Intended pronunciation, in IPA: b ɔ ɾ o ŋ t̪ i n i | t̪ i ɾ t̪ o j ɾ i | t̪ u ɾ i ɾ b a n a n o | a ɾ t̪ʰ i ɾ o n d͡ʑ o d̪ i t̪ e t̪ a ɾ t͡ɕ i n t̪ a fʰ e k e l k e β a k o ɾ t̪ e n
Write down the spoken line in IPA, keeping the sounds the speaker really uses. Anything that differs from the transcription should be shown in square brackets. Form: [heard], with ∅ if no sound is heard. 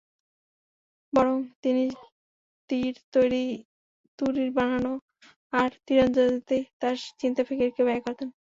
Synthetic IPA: b ɔ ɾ o ŋ t̪ i n i | t̪ i ɾ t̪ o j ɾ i | t̪ u ɾ i ɾ b a n a n o | a ɾ [t̪] i ɾ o n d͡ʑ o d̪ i t̪ e t̪ a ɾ t͡ɕ i n t̪ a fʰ e k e [ɾ] k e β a k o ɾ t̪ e n